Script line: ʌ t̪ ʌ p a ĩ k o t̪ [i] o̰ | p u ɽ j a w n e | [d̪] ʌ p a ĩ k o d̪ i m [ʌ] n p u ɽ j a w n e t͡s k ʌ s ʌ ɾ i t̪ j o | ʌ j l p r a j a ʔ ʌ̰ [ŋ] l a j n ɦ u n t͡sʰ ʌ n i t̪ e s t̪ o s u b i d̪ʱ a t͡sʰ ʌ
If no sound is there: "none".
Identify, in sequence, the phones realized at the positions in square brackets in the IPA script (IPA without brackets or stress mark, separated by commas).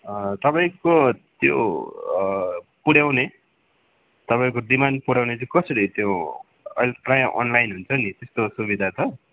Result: j, t̪, a, n